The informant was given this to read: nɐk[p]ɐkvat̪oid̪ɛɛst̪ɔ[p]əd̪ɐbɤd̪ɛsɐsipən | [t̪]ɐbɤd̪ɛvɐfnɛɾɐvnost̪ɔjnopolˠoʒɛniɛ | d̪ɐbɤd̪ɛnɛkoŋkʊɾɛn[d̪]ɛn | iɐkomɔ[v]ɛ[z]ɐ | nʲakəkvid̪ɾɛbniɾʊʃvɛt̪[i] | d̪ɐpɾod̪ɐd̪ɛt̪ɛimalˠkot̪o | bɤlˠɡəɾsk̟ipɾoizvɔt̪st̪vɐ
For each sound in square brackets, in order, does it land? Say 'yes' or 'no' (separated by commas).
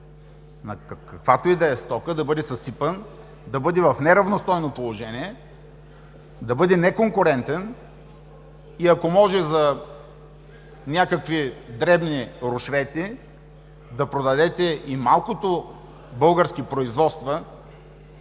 no, no, no, no, no, yes, yes